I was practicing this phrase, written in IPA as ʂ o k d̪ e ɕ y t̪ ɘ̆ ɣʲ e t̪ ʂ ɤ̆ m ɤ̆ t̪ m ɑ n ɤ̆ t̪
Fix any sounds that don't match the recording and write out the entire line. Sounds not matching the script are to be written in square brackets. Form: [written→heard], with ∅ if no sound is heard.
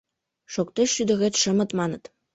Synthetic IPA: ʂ o k [d̪→t̪] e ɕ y [t̪→d̪] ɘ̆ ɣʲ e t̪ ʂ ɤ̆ m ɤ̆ t̪ m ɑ n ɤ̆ t̪

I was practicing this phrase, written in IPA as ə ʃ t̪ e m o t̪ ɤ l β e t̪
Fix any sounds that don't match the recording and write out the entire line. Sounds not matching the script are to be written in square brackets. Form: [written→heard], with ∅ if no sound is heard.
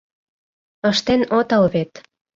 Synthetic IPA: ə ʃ t̪ e [m→n] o t̪ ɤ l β e t̪

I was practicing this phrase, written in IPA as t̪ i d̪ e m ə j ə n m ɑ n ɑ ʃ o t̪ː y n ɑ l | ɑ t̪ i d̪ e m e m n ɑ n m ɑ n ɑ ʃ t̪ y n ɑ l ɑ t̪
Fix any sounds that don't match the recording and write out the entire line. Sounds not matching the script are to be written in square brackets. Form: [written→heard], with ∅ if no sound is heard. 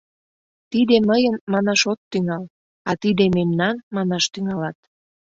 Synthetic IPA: t̪ i d̪ e m ə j ə n m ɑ n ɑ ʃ o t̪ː y [n→ŋ] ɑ l | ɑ t̪ i d̪ e m e m n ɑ n m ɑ n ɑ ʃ t̪ y [n→ŋ] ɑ l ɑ t̪

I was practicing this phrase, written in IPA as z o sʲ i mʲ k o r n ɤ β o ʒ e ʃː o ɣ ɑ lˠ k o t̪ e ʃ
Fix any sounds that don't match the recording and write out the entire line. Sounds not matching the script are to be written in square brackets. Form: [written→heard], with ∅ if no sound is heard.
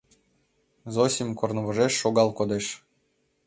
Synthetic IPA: z o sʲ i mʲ k o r n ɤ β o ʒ e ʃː o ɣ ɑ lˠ k o [t̪→d̪] e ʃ

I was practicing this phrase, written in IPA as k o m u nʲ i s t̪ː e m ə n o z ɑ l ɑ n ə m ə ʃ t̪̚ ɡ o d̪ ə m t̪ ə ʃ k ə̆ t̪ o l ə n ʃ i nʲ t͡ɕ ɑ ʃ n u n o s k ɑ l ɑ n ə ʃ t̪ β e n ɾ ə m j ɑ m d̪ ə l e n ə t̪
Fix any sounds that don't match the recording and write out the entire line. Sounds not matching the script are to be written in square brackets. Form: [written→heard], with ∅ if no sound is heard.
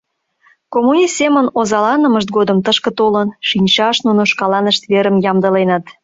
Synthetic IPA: k o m u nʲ i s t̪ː e m ə n o z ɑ l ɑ n ə m ə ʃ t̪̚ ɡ o d̪ ə m t̪ ə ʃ k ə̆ t̪ o l ə n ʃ i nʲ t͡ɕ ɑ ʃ n u n o [s→ʃ] k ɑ l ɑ n ə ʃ t̪ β e [n→∅] ɾ ə m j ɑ m d̪ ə l e n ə t̪

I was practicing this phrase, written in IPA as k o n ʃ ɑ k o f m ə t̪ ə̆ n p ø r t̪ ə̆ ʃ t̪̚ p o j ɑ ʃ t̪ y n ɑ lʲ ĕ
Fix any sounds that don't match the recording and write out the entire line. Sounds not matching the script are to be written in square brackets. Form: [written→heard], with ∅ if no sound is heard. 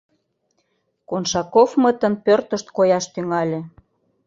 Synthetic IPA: k o n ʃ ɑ k o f m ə t̪ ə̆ n p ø r t̪ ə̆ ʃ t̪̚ [p→k] o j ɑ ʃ t̪ y [n→ŋ] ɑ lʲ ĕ

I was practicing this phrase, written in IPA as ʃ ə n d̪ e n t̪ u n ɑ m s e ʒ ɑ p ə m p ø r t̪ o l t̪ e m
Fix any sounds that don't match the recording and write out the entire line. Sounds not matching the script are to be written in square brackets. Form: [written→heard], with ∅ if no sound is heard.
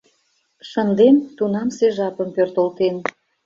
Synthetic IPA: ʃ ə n d̪ e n t̪ u n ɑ m s e ʒ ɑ p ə m p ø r t̪ o l t̪ e [m→n]

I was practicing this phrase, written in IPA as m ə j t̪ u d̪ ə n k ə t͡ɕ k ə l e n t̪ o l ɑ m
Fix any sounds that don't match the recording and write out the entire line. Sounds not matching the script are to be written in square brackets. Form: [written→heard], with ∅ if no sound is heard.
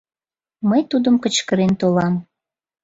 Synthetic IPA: m ə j t̪ u d̪ ə [n→m] k ə t͡ɕ k ə [l→ɾ] e n t̪ o l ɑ m

